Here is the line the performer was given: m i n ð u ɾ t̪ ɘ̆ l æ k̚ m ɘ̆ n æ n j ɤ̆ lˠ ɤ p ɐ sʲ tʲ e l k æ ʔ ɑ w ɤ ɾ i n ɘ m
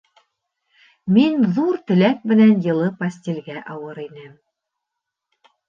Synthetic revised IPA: m i n ð u ɾ t̪ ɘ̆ l æ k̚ m ɘ̆ n æ n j ɤ̆ lˠ ɤ p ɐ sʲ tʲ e l ɡ æ ʔ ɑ w ɤ ɾ i n ɘ m